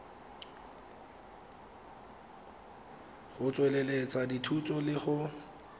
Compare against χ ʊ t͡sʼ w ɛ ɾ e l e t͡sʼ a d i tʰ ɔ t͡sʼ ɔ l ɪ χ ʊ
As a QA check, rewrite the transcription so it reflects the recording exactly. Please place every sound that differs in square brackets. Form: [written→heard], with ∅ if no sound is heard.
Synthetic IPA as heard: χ ʊ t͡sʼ w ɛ [ɾ→l] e l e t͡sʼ a d i tʰ [ɔ→u] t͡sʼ ɔ l ɪ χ ʊ